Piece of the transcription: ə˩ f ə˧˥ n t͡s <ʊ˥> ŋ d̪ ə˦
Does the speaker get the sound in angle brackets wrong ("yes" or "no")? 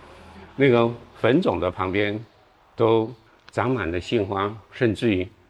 yes